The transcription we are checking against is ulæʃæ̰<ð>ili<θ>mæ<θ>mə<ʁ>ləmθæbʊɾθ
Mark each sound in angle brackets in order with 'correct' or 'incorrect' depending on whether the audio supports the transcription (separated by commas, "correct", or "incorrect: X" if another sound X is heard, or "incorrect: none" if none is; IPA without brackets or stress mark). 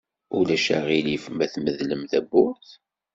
incorrect: ʁ, incorrect: f, correct, incorrect: ð